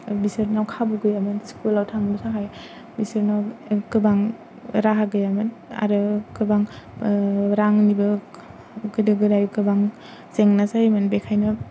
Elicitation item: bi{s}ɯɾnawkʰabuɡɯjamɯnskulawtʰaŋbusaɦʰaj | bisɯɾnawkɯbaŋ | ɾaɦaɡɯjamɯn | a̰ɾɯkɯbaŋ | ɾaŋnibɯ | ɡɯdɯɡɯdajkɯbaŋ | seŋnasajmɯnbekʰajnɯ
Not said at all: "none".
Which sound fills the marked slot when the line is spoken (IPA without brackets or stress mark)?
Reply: s